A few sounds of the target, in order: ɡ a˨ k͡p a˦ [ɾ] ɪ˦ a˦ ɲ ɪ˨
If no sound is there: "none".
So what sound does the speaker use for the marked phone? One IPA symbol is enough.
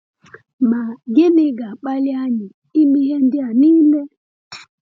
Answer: l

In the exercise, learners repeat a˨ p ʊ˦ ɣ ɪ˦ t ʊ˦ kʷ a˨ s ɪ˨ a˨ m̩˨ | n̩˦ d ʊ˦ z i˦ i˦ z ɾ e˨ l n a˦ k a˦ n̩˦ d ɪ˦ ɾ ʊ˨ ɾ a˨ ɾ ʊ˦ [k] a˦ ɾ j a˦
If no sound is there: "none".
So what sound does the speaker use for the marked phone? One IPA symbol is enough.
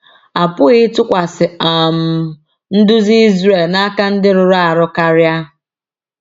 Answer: k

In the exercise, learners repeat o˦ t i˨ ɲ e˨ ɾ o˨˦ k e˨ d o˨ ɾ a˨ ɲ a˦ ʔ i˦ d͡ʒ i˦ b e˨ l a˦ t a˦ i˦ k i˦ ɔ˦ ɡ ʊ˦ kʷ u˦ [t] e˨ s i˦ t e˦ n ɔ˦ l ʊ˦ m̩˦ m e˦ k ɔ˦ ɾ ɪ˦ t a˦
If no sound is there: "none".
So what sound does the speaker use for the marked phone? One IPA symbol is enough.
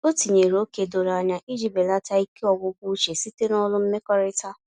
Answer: t͡ʃ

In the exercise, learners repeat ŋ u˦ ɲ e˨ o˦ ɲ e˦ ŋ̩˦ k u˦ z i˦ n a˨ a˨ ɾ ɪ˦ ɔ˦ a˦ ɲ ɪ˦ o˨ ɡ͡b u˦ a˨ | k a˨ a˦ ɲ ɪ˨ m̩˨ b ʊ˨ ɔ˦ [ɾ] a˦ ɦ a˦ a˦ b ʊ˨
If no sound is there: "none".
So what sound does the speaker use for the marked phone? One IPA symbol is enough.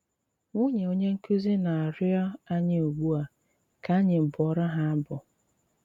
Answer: ɾ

